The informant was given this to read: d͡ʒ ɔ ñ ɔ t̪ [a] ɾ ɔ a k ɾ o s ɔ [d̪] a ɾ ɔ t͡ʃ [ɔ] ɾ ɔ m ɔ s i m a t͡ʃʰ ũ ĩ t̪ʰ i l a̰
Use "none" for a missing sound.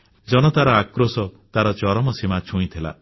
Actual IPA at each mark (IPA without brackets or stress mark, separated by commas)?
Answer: a, t̪, ɔ